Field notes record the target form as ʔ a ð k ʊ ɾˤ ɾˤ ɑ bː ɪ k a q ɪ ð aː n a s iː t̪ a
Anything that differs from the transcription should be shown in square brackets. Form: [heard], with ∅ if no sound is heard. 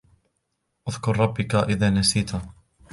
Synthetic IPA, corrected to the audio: ʔ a ð k ʊ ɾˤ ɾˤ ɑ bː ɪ k a [ʔ] ɪ ð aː n a s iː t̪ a